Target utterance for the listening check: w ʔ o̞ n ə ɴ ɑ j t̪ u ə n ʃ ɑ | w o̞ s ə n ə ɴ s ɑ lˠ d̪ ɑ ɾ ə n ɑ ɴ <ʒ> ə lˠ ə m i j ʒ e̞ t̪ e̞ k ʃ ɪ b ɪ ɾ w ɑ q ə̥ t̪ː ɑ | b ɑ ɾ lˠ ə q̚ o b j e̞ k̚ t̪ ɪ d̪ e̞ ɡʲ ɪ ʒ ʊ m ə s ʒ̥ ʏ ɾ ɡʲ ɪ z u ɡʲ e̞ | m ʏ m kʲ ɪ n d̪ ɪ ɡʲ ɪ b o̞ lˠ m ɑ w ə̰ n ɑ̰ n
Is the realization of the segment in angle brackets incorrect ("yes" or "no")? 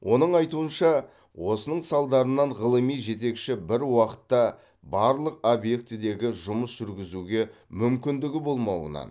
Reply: yes